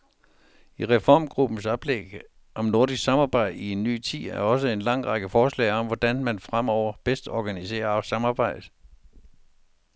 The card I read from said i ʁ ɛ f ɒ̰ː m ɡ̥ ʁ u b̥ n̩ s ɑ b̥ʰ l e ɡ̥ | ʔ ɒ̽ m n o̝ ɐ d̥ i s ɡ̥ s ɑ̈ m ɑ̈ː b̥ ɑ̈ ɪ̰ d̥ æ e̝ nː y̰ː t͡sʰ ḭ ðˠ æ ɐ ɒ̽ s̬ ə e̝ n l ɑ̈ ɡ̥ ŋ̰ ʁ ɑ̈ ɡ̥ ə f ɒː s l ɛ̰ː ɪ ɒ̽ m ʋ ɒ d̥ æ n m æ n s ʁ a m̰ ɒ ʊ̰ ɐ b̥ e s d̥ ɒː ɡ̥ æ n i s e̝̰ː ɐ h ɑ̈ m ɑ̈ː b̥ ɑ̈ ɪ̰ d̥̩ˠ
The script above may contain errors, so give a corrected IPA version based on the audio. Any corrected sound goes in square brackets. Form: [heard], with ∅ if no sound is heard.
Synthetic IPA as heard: i ʁ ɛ f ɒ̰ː m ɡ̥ ʁ u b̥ n̩ s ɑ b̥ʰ l e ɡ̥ | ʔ ɒ̽ m n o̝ ɐ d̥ i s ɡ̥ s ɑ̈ m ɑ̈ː b̥ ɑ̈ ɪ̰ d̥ [i] e̝ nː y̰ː t͡sʰ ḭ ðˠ æ ɐ ɒ̽ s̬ ə e̝ n l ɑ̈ [∅] ŋ̰ ʁ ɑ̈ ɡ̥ ə f ɒː s l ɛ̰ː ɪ ɒ̽ m ʋ ɒ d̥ æ n m æ n [f] ʁ a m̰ ɒ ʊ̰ ɐ b̥ e s d̥ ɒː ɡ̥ æ n i s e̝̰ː ɐ [s] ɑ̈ m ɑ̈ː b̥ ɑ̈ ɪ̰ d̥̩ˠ